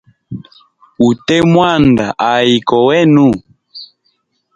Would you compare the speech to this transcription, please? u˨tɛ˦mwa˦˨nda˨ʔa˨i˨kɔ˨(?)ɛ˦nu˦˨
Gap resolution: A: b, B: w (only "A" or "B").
B